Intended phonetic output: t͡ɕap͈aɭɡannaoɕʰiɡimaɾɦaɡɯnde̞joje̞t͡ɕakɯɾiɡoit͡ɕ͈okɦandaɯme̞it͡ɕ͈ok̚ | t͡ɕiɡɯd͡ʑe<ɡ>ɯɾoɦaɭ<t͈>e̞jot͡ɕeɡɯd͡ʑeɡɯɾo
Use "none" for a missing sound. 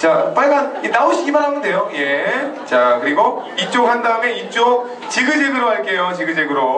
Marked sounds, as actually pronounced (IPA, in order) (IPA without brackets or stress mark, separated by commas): ɡ, k͈